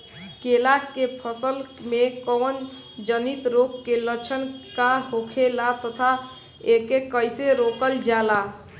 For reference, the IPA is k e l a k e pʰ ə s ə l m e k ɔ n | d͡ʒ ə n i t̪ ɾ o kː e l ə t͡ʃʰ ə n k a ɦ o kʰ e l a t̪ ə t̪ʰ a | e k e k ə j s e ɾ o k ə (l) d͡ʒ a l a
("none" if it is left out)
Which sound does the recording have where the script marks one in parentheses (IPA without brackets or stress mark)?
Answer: l